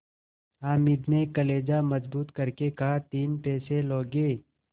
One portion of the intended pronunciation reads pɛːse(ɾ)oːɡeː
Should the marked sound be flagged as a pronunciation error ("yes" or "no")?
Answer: yes